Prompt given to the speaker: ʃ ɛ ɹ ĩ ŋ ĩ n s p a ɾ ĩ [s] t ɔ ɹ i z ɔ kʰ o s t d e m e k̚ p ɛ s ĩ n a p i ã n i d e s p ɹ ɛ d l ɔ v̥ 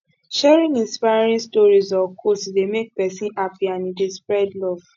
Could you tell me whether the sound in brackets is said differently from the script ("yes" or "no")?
no